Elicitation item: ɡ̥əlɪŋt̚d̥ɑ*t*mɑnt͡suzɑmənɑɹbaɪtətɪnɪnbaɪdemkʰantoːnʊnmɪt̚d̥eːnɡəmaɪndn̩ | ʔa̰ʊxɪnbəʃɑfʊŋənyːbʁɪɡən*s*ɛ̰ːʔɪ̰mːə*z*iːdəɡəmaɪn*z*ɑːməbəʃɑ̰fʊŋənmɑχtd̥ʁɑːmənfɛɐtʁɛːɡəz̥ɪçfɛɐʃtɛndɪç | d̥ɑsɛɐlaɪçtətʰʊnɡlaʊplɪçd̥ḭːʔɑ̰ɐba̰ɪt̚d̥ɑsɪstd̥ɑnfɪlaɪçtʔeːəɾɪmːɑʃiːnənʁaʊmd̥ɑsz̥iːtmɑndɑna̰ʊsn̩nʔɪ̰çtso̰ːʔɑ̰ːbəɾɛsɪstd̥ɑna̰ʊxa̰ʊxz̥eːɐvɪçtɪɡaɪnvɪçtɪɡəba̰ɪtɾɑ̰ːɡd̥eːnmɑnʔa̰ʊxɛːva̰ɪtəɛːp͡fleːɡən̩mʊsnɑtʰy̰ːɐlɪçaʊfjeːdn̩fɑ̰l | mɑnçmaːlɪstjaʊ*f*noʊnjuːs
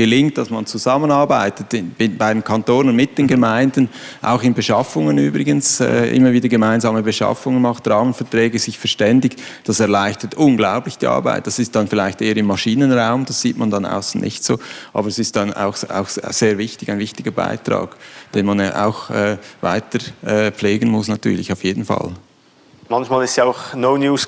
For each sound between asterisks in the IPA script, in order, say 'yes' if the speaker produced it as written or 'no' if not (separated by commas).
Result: no, yes, no, yes, no